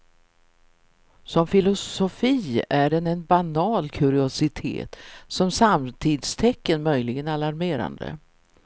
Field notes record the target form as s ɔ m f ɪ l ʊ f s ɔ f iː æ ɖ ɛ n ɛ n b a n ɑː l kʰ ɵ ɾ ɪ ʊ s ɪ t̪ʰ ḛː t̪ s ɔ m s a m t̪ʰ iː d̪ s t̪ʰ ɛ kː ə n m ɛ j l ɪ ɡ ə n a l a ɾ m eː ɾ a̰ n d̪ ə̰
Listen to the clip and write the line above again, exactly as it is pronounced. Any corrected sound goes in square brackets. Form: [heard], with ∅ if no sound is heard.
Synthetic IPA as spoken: s ɔ m f ɪ l ʊ [s] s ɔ f iː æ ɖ ɛ n ɛ n b a n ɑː l kʰ ɵ ɾ ɪ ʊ s ɪ t̪ʰ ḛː t̪ s ɔ m s a m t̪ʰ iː d̪ s t̪ʰ ɛ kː ə n m [œ] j l ɪ ɡ ə n a l a ɾ m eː ɾ a̰ n d̪ ə̰